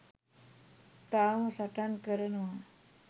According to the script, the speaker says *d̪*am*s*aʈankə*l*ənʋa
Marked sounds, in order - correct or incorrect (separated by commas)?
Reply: incorrect, correct, incorrect